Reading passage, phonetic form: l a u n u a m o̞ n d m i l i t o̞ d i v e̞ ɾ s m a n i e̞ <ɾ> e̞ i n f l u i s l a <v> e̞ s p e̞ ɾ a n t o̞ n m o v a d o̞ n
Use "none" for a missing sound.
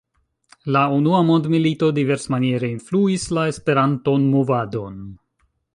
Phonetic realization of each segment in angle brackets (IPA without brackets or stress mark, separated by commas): ɾ, none